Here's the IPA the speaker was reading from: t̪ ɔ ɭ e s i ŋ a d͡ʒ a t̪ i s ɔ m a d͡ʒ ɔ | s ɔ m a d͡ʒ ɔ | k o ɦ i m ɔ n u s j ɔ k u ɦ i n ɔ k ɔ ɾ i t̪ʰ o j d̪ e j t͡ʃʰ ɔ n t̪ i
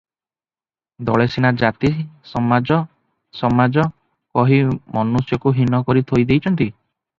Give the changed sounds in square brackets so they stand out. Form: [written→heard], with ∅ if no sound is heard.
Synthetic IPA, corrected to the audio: [t̪→d̪] ɔ ɭ e s i [ŋ→n] a d͡ʒ a t̪ i s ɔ m a d͡ʒ ɔ | s ɔ m a d͡ʒ ɔ | k [o→ɔ] ɦ i m ɔ n u s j ɔ k u ɦ i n ɔ k ɔ ɾ i t̪ʰ o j d̪ e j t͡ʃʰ ɔ n t̪ i